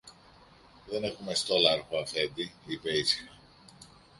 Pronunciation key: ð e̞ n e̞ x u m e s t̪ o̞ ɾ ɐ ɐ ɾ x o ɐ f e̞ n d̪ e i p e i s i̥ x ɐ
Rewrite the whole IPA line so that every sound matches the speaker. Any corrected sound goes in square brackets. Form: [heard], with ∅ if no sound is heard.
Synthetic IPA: ð e̞ n e̞ x u m e s t̪ o̞ [l] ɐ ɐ ɾ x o ɐ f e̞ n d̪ [i] i p e i s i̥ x ɐ